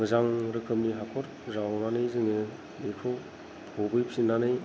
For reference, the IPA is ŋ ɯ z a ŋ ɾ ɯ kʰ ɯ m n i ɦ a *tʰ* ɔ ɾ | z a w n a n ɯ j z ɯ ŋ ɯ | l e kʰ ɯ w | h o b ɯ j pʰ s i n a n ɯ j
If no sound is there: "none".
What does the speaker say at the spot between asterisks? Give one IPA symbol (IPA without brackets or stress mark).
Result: kʰ